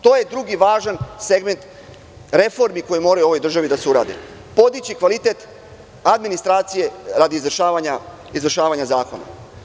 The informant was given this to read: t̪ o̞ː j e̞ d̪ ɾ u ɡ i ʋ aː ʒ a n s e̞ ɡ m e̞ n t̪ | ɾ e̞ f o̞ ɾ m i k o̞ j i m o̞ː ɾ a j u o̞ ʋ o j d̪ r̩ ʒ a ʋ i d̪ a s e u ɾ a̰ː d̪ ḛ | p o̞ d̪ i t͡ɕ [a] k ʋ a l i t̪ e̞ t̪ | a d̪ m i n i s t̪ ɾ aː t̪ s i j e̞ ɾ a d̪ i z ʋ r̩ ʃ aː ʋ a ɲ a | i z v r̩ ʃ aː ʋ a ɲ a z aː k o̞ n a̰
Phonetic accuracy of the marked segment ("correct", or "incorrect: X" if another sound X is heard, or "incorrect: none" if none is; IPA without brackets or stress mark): incorrect: i